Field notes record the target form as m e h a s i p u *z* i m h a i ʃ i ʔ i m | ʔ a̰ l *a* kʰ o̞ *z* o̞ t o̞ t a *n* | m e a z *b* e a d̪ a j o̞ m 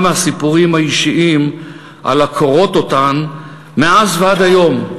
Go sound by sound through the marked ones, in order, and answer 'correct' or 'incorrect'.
incorrect: ʁ, correct, incorrect: ʁ, correct, incorrect: v

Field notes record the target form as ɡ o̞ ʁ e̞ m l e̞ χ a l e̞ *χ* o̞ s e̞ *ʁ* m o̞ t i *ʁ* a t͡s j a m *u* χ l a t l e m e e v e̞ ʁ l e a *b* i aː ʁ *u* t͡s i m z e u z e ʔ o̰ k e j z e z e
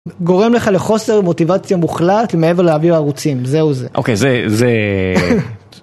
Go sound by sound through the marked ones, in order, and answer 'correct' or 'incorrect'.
correct, correct, incorrect: v, correct, incorrect: v, correct

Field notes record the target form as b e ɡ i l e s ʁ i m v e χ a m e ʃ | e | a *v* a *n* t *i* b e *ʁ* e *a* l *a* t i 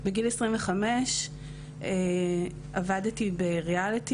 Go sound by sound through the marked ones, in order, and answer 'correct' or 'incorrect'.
correct, incorrect: d, correct, correct, correct, incorrect: i

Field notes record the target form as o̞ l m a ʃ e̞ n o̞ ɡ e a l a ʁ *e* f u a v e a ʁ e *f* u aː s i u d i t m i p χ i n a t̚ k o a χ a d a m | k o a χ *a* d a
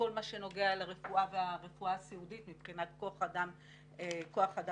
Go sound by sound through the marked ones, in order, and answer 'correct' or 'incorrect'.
correct, correct, correct

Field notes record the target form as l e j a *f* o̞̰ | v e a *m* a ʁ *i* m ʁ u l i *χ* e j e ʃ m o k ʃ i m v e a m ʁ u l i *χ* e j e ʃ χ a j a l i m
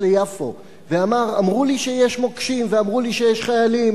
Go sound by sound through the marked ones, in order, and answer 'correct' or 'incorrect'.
correct, correct, incorrect: a, incorrect: ʃ, incorrect: ʃ

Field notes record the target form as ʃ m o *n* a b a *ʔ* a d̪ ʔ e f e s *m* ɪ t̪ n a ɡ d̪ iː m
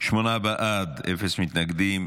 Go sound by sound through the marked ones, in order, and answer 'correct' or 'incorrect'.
correct, correct, correct

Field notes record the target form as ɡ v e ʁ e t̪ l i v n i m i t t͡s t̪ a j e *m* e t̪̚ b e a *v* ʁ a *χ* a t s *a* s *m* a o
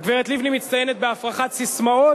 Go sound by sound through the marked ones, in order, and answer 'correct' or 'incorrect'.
incorrect: n, incorrect: f, correct, incorrect: i, correct

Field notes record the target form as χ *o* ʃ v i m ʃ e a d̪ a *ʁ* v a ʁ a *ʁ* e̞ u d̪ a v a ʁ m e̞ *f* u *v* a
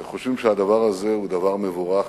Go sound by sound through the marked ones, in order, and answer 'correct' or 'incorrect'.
correct, incorrect: none, incorrect: z, incorrect: v, incorrect: ʁ

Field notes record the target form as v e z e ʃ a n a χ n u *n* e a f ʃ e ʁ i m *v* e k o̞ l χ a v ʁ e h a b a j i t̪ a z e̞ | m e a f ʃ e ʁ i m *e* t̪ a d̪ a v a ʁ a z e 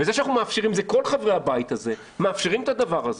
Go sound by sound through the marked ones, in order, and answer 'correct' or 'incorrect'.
incorrect: m, incorrect: z, correct

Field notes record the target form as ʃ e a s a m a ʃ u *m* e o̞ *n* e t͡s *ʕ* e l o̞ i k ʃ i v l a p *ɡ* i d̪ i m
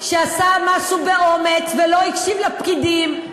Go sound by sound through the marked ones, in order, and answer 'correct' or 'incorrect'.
incorrect: b, incorrect: m, incorrect: v, incorrect: k

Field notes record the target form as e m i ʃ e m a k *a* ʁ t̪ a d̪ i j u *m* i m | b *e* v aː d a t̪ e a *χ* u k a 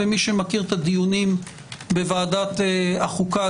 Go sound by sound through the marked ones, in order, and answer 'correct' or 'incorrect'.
incorrect: i, incorrect: n, correct, correct

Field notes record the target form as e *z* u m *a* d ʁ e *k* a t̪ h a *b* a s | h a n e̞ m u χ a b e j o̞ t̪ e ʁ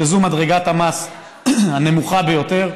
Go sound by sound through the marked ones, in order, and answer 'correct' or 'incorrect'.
correct, correct, incorrect: ɡ, incorrect: m

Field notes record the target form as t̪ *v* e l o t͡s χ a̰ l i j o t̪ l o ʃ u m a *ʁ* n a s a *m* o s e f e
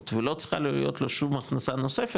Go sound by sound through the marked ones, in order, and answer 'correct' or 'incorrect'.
correct, incorrect: χ, incorrect: n

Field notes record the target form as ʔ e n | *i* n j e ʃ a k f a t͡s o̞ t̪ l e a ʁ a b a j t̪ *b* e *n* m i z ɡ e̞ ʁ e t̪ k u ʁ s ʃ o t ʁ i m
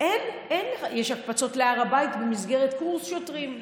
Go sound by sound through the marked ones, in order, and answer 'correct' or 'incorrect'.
incorrect: e, correct, incorrect: none

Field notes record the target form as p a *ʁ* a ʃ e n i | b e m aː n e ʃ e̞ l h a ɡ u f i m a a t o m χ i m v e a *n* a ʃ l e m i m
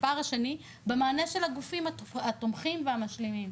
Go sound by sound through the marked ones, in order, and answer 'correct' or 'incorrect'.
correct, incorrect: m

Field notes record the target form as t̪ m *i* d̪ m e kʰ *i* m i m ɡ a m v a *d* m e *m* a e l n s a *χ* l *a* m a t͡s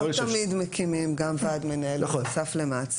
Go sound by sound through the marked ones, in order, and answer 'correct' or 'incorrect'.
correct, correct, correct, incorrect: n, incorrect: f, incorrect: e

